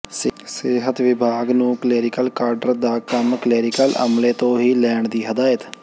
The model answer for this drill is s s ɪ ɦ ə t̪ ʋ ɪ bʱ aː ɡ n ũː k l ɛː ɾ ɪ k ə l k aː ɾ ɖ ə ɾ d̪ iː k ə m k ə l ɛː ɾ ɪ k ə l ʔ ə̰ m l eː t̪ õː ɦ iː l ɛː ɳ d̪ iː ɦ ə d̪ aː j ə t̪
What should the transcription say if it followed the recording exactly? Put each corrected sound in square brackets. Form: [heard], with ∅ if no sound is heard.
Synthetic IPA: s s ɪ ɦ ə t̪ ʋ ɪ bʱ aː ɡ n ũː k l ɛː ɾ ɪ k ə l k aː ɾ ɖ ə ɾ d̪ [aː] k ə m k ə l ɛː ɾ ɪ k ə l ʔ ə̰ m l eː t̪ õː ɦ iː l ɛː ɳ d̪ iː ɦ ə d̪ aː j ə t̪